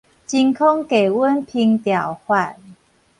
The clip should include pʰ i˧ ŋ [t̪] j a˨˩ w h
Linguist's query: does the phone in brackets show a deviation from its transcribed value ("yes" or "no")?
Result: no